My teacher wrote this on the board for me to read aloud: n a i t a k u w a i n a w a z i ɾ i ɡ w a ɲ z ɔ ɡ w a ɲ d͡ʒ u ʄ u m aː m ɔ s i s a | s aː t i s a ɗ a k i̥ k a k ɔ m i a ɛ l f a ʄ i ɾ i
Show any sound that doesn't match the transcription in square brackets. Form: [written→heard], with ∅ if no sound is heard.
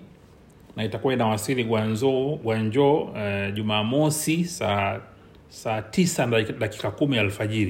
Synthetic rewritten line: n a i t a k u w a i n a w a [z→s] i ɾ i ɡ w a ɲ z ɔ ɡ w a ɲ d͡ʒ [u→ɔ] ʄ u m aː m ɔ s i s a | s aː t i s a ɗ a k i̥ k a k [ɔ→u] m i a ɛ l f a ʄ i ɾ i